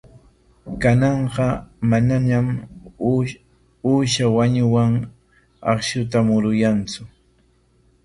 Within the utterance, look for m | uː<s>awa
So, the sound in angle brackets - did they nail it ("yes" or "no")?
no